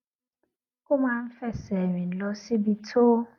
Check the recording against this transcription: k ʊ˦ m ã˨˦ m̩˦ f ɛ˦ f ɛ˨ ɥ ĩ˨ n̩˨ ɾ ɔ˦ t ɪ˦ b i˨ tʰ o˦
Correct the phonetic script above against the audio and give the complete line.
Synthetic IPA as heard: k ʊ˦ m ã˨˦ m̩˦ f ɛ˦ s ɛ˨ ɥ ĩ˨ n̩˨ l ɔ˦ s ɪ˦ b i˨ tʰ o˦